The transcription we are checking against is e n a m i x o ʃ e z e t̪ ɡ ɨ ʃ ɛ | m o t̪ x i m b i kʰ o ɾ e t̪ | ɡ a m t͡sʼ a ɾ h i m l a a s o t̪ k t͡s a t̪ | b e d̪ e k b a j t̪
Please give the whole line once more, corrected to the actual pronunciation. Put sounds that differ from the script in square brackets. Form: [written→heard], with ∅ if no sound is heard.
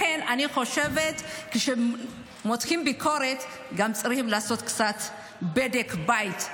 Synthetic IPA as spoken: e n a [m→n] i x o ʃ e [z→v] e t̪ [ɡ→k] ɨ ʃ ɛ | m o t̪ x i m b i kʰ o ɾ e t̪ | ɡ a m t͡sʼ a ɾ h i m l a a s o t̪ k t͡s a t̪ | b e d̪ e k b a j t̪